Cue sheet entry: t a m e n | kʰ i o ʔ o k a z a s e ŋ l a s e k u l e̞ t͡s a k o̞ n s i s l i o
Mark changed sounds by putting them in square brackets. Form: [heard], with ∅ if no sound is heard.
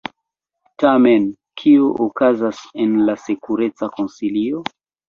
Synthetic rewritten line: t a m e n | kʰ i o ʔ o k a z a s e [n] l a s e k u [ɾ] e̞ t͡s a k o̞ n s i [∅] l i o